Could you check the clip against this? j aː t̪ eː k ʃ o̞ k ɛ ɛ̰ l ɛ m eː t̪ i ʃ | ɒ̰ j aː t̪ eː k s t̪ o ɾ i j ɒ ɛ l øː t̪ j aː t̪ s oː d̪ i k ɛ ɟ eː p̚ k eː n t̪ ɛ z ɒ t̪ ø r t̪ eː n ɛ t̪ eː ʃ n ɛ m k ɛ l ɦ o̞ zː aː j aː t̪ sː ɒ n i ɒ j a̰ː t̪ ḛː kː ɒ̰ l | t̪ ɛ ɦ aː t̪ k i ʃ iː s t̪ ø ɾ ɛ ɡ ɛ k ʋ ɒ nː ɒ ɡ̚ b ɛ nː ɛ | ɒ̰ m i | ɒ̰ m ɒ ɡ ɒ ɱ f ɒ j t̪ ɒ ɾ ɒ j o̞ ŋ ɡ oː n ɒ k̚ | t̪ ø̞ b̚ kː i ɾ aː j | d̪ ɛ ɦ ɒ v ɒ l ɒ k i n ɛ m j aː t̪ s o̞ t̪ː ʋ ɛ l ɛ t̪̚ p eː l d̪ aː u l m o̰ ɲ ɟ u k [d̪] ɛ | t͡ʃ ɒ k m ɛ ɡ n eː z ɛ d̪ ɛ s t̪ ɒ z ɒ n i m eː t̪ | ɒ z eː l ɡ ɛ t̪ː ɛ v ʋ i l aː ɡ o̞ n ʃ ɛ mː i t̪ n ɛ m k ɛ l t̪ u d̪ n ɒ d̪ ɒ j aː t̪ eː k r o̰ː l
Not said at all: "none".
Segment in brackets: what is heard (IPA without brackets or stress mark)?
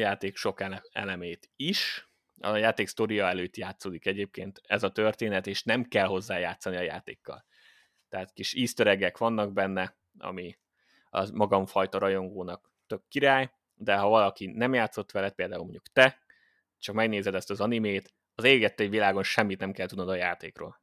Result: t̪